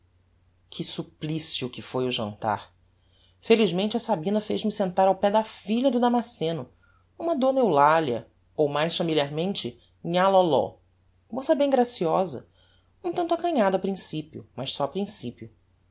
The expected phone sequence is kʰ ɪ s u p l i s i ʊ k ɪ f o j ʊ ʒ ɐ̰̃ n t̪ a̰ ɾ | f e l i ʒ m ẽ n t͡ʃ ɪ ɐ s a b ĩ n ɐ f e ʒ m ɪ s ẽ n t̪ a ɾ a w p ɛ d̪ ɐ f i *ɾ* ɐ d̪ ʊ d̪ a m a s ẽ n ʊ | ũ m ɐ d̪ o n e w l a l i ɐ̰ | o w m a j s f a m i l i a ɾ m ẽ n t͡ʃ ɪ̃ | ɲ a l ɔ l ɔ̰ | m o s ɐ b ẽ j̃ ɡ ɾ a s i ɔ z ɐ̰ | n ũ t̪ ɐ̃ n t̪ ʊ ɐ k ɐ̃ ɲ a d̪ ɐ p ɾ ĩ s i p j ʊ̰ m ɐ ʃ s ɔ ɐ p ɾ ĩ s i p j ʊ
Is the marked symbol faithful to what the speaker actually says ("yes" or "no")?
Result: no